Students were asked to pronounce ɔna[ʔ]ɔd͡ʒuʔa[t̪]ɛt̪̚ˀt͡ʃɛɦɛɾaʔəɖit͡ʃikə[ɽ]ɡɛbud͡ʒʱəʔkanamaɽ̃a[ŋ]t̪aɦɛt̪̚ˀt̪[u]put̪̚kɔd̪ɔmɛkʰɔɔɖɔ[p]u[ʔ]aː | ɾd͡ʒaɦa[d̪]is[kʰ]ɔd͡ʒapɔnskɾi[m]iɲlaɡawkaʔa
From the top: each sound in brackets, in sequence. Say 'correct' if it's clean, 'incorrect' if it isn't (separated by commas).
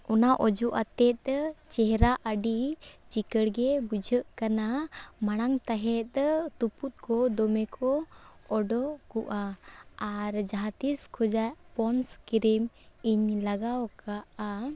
correct, correct, correct, correct, correct, incorrect, correct, incorrect, correct, correct